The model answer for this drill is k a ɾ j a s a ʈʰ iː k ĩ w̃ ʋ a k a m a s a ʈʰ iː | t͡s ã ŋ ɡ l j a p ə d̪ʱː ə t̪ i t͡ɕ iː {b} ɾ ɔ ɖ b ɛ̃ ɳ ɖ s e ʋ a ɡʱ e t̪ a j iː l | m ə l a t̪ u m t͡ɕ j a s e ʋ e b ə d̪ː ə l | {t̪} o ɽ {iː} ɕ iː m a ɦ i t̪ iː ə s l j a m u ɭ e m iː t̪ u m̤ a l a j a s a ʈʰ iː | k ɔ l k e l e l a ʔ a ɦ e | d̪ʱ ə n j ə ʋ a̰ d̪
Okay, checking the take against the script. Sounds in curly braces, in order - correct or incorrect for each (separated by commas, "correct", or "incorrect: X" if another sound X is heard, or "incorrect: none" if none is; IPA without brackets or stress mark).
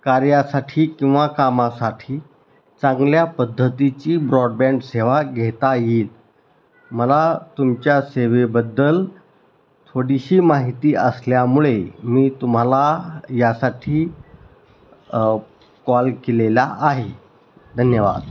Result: correct, incorrect: t̪ʰ, incorrect: i